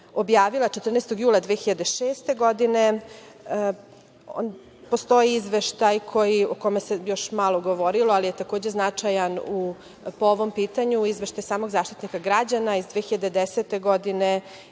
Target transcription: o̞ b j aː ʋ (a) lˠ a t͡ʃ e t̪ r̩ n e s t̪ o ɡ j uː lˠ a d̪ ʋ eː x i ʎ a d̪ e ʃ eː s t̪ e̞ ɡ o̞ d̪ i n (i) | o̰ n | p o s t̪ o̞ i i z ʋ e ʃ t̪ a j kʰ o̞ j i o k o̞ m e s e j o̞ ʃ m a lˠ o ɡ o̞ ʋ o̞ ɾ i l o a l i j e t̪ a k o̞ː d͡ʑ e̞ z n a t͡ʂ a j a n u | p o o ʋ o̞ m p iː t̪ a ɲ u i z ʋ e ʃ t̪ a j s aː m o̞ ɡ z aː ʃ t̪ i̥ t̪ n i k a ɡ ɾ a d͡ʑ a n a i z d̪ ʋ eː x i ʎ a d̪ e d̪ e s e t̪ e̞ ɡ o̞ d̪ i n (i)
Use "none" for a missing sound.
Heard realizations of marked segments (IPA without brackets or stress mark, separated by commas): i, e, e